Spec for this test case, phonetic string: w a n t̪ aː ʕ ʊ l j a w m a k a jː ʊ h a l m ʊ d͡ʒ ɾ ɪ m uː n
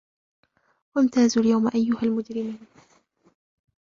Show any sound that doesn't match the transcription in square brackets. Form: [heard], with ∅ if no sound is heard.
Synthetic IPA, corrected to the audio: w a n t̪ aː [z] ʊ l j a w m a [ʔ] a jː ʊ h a l m ʊ d͡ʒ ɾ ɪ m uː n